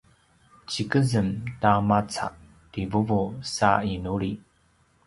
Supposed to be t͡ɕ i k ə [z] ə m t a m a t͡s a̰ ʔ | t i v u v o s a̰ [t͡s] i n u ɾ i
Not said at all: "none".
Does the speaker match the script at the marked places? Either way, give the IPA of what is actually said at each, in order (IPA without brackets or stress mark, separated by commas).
z, none